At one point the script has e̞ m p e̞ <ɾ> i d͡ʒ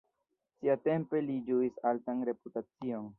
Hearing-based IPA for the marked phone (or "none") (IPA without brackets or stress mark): l